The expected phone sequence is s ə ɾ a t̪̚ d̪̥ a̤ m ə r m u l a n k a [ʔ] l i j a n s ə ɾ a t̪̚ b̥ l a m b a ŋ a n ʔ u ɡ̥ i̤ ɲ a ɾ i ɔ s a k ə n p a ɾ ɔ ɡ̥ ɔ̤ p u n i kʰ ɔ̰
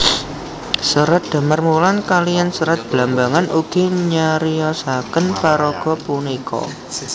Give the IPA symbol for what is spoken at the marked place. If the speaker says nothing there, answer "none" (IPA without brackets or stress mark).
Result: none